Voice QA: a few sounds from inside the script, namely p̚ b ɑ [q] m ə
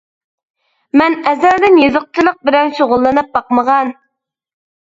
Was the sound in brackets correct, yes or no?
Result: yes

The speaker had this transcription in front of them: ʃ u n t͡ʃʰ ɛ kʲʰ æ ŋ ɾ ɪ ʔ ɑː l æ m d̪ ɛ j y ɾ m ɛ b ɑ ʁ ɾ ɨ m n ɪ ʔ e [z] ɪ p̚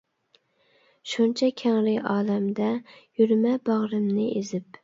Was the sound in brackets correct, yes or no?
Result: yes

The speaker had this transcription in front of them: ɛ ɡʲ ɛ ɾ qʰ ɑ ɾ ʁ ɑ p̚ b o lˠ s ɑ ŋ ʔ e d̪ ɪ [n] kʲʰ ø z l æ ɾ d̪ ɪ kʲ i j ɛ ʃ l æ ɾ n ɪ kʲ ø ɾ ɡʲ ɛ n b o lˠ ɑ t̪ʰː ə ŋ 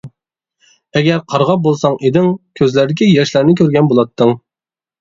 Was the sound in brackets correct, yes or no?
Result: no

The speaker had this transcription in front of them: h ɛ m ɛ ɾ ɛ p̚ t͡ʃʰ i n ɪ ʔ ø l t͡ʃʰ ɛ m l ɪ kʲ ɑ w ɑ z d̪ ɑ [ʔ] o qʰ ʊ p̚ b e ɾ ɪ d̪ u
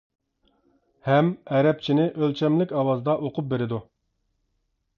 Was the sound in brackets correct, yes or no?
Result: yes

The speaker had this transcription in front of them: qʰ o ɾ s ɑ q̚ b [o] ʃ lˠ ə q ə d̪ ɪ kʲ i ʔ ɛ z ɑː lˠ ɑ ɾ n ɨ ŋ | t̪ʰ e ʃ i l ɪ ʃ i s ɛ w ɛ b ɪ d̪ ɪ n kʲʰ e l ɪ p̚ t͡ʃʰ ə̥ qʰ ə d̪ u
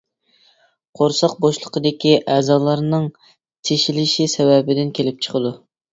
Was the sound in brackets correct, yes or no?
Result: yes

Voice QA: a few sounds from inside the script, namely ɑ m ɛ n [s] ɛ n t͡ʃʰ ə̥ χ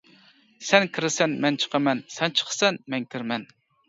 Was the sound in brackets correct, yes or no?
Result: yes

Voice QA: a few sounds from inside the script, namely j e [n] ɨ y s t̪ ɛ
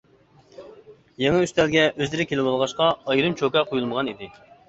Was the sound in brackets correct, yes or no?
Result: no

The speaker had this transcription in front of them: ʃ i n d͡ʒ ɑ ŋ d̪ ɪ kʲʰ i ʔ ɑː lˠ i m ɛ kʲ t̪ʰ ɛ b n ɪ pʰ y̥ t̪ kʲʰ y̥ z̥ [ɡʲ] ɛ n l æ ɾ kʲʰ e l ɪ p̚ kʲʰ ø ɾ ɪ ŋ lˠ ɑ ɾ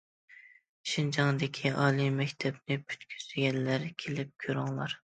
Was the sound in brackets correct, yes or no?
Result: yes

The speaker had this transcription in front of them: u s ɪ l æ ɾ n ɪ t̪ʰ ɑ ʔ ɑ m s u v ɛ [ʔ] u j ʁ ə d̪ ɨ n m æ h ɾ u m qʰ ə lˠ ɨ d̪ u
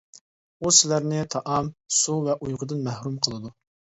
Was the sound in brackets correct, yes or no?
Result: yes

